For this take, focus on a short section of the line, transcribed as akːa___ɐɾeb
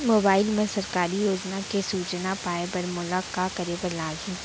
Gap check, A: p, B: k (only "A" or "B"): B